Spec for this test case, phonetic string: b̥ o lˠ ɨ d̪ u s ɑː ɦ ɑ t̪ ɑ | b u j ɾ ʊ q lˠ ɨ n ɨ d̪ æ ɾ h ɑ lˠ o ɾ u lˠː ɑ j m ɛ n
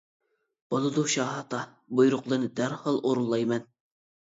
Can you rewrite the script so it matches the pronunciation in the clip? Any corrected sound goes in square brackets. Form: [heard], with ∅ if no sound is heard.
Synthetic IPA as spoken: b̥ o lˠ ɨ d̪ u [ʃ] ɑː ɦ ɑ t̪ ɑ | b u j ɾ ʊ q lˠ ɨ n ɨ d̪ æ ɾ h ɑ lˠ o ɾ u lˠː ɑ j m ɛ n